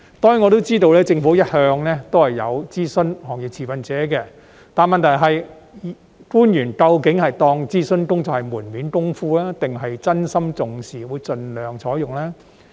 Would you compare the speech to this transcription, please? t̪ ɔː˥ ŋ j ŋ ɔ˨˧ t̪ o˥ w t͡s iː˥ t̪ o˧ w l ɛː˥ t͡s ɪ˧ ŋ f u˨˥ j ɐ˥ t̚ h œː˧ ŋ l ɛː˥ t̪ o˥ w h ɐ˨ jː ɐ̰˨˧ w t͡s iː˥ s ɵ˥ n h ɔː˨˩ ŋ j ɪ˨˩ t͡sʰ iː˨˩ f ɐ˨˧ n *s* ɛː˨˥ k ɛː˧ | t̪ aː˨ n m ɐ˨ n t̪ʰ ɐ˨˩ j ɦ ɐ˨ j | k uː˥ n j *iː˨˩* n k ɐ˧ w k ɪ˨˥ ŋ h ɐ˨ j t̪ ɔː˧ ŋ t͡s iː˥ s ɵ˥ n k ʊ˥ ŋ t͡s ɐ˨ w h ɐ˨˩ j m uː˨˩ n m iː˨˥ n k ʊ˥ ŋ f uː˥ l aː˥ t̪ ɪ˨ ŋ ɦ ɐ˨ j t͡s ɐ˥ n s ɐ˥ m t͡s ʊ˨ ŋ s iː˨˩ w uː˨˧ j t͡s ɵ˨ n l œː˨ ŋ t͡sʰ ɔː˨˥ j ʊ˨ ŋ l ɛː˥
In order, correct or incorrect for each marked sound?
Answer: incorrect: t͡s, incorrect: yː˨˩

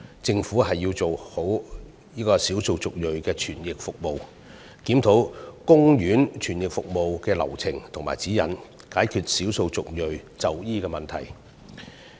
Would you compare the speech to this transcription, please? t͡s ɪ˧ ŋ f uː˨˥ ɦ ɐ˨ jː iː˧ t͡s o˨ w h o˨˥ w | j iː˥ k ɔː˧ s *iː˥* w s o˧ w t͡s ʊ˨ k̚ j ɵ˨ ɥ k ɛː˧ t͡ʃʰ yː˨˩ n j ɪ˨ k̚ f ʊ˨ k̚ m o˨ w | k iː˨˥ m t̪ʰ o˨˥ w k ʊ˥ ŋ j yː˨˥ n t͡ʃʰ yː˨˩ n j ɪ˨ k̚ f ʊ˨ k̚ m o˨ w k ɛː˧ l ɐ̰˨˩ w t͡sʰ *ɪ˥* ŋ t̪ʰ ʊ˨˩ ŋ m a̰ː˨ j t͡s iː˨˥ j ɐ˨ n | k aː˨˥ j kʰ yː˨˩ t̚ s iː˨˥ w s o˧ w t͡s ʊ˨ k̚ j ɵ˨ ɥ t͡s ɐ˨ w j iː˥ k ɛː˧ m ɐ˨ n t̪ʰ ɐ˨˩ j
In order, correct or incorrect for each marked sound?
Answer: incorrect: iː˨˥, incorrect: ɪ˨˩

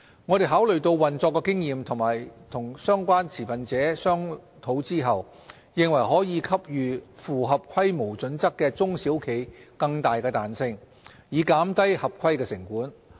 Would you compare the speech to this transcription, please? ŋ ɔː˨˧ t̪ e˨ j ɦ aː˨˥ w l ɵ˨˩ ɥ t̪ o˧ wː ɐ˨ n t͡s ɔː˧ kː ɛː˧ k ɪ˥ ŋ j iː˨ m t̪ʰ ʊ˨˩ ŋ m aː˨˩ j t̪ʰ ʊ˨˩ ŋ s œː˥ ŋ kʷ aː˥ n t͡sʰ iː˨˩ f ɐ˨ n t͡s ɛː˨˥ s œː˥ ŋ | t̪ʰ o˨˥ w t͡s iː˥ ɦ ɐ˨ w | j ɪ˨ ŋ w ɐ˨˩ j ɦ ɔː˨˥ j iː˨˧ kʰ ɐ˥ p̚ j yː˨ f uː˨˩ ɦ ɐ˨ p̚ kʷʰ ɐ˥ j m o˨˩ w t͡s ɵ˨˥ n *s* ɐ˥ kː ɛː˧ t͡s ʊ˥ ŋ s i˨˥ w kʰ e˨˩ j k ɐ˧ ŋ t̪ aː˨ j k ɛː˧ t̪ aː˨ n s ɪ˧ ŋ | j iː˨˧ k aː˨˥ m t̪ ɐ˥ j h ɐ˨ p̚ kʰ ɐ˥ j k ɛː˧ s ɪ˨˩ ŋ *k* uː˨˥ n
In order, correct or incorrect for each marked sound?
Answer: incorrect: t͡s, correct

